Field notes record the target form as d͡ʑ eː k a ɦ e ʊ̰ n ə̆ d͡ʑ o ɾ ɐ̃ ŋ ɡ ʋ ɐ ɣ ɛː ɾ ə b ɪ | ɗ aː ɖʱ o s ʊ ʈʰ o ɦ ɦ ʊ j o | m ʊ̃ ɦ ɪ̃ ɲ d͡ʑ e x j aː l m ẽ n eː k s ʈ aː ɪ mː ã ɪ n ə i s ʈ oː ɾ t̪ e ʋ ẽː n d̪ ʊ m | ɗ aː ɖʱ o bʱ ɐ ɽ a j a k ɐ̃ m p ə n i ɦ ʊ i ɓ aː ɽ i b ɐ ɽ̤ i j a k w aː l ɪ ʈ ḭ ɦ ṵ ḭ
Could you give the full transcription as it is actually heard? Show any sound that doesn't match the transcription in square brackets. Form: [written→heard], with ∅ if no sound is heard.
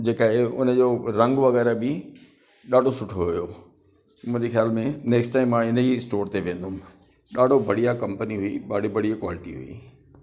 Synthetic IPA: d͡ʑ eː k a ɦ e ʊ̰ n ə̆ d͡ʑ o ɾ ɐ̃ ŋ ɡ ʋ ɐ ɣ ɛː ɾ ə b ɪ | ɗ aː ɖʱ o s ʊ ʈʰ o ɦ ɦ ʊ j o | m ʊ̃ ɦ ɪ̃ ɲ d͡ʑ e x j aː l m ẽ n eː k s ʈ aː ɪ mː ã ɪ n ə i s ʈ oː ɾ t̪ e ʋ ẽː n d̪ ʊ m | ɗ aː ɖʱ o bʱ ɐ ɽ [a→i] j a k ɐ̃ m p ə n i ɦ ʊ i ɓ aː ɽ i b ɐ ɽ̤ i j a k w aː l ɪ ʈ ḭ ɦ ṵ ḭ